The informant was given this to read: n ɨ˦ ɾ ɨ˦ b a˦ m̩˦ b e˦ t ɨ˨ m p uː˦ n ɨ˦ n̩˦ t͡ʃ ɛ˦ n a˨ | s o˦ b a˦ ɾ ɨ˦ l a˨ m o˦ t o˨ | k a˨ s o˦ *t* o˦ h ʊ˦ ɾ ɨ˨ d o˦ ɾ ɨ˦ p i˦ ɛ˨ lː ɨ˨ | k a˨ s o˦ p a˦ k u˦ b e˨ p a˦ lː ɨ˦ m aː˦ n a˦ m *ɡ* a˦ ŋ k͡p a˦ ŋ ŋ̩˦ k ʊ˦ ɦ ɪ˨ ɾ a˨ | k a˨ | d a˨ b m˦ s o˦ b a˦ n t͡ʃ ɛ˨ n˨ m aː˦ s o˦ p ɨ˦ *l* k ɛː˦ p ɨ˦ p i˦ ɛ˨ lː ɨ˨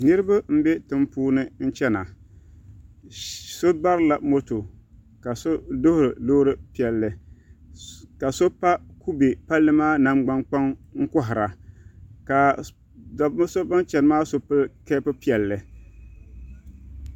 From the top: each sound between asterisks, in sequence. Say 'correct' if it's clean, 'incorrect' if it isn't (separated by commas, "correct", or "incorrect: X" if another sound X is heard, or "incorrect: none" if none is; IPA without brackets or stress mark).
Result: incorrect: d, incorrect: ɡ͡b, correct